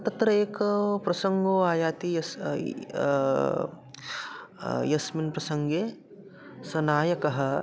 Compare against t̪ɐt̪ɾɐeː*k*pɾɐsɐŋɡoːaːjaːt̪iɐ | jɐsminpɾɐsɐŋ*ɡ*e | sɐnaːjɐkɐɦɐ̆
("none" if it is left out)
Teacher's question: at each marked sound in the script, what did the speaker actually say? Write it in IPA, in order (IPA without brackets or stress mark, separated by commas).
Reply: k, ɡ